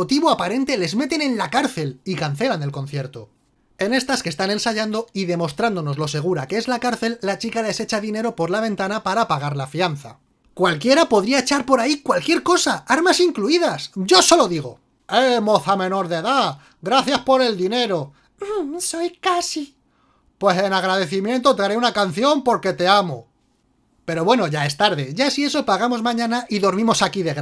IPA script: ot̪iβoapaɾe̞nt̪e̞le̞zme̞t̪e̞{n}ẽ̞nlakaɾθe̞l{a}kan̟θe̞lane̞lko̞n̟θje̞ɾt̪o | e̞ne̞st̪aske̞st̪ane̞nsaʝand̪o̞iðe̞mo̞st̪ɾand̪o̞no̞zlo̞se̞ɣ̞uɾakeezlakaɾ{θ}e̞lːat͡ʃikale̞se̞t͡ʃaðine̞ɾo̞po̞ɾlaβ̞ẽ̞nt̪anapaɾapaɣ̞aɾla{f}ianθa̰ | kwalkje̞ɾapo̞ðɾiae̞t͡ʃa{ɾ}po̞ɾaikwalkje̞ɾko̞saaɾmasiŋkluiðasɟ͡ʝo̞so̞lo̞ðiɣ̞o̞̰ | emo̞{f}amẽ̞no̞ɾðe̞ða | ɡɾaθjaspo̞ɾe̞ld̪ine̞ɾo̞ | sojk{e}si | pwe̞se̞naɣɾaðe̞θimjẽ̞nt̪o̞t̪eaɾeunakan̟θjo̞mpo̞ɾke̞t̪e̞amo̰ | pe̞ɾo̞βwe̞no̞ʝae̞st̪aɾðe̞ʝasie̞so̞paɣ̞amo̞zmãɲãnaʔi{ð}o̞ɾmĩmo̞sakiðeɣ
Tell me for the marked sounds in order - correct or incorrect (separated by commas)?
correct, incorrect, correct, correct, correct, incorrect, incorrect, correct